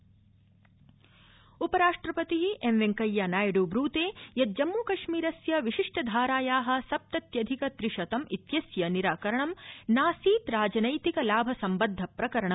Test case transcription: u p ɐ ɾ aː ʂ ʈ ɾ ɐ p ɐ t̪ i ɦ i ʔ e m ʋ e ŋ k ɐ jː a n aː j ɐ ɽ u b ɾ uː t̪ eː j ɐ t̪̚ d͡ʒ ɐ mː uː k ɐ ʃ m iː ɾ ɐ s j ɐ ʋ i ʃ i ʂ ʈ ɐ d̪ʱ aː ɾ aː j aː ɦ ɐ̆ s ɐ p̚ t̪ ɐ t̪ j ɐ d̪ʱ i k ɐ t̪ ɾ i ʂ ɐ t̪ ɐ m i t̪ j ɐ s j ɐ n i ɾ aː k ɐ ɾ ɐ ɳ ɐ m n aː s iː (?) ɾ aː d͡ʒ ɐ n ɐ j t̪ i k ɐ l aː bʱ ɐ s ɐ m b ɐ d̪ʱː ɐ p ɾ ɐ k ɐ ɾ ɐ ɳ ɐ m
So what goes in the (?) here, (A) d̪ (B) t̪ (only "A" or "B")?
B